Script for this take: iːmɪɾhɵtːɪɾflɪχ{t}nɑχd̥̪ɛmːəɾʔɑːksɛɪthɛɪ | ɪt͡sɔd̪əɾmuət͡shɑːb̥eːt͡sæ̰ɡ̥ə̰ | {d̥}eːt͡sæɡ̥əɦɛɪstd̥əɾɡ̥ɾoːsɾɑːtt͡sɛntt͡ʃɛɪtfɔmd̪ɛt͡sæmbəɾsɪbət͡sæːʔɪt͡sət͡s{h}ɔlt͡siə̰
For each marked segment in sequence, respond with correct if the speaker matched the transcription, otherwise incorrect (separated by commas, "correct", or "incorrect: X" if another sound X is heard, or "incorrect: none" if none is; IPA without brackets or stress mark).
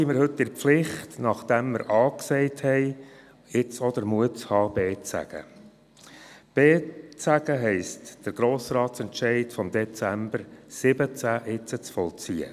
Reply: correct, incorrect: b̥, incorrect: f